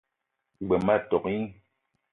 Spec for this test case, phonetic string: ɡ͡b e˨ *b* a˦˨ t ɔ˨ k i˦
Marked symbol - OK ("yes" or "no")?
no